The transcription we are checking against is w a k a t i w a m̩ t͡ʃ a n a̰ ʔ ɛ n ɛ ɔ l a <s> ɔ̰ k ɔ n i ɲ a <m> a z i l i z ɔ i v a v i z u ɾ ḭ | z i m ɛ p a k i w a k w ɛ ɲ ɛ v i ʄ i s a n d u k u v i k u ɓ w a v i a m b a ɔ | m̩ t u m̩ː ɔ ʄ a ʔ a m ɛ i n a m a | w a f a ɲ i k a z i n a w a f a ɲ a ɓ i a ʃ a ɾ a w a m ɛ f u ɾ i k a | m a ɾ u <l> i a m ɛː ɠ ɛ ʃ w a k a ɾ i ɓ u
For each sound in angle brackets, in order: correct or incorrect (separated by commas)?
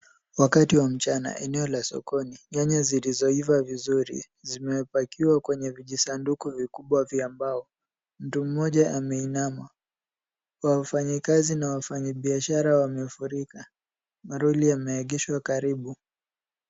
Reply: correct, incorrect, correct